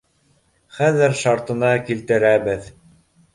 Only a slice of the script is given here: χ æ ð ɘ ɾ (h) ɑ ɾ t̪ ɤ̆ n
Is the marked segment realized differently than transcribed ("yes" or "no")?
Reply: yes